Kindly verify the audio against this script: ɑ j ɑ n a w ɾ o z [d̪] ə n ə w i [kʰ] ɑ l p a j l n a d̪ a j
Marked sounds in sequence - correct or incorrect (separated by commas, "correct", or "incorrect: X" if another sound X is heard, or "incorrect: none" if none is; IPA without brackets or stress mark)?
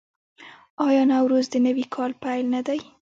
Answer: correct, correct